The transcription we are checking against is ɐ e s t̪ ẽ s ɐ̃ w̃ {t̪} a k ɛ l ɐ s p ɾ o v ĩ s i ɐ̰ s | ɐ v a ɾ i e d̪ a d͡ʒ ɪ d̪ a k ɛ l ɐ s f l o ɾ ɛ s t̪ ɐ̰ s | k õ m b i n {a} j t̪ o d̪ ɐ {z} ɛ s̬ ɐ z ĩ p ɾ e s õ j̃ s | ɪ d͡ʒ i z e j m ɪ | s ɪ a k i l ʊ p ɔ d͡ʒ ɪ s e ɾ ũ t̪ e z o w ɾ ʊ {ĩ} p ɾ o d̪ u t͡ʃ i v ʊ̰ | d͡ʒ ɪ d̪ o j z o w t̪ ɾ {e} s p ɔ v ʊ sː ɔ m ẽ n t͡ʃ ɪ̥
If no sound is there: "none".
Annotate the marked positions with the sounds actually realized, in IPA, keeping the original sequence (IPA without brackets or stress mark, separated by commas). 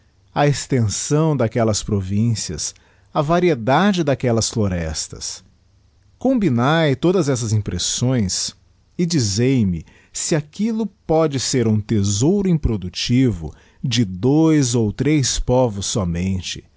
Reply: d̪, a, z, ĩ, e